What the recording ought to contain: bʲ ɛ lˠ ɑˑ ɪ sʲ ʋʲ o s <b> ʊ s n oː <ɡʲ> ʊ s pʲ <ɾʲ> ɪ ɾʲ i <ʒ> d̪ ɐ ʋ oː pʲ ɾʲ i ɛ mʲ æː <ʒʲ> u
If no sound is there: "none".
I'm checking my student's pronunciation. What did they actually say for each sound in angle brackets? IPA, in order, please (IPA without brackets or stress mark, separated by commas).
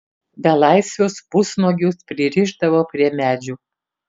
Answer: p, ɡʲ, ɾʲ, ʒ, d͡ʒʲ